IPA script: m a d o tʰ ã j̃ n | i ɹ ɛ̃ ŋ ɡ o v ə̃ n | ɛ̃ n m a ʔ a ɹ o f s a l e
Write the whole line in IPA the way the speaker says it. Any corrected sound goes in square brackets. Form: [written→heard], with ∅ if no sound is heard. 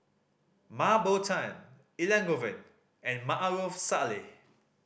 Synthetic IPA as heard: m a [d→b] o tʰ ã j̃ n | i [ɹ→l] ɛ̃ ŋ ɡ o v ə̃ n | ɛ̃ n m a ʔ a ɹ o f s a l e